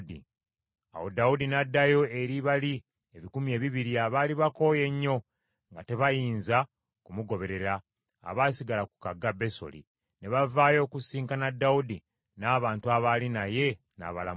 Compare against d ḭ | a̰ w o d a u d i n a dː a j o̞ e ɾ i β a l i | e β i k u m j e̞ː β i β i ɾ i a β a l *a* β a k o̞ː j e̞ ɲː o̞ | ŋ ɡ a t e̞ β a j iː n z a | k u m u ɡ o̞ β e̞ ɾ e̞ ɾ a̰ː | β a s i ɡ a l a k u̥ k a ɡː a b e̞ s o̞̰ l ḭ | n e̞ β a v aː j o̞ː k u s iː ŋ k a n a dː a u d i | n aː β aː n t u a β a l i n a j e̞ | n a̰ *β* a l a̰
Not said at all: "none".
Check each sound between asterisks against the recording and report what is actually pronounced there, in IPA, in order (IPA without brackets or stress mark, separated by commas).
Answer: i, β